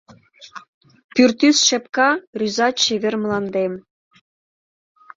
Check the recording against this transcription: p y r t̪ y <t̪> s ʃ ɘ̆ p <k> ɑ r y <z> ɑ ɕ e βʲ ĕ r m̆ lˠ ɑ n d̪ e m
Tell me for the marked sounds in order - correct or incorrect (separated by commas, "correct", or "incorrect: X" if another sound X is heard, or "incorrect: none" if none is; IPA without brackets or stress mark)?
incorrect: none, correct, correct